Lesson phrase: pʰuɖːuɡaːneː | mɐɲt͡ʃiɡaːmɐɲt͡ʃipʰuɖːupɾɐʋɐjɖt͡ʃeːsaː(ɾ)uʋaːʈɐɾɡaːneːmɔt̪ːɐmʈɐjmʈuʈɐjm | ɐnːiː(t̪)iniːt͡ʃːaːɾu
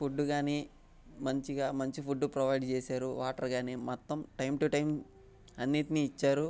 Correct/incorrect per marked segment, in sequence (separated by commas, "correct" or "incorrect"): correct, correct